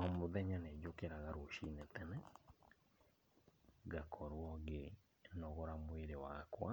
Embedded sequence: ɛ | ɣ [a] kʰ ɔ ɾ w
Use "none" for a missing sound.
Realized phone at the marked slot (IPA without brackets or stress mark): a